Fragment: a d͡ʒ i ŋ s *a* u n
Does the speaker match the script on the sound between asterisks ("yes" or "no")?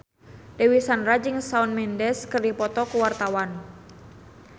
yes